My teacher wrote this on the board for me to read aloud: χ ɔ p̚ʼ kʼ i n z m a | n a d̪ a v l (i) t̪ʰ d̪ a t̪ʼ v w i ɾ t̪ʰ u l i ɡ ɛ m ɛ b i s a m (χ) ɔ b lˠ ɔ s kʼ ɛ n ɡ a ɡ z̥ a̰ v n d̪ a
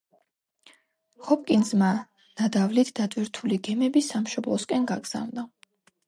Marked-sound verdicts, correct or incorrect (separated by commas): correct, incorrect